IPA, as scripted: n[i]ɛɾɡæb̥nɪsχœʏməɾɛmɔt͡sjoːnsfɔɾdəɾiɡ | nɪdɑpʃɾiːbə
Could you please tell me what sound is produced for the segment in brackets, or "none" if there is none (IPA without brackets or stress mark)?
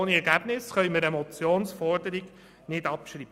i